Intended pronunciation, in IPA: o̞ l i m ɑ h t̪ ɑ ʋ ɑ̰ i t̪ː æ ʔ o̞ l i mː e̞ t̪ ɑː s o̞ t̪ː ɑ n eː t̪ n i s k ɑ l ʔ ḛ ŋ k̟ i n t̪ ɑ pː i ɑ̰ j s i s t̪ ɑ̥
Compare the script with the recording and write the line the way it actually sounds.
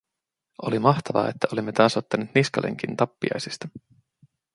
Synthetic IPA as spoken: o̞ l i m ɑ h t̪ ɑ ʋ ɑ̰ e t̪ː æ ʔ o̞ l i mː e̞ t̪ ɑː s o̞ t̪ː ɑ n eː t̪ n i s k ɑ l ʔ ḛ ŋ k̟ i n t̪ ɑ pː i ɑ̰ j s i s t̪ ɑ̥